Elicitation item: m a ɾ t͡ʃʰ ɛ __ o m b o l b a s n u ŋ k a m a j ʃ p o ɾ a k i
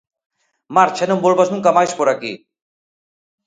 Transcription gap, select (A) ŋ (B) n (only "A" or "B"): B